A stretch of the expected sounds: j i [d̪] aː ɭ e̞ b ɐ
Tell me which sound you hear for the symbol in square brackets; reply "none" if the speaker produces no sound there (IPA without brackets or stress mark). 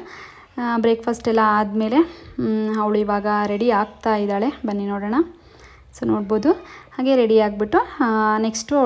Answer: d̪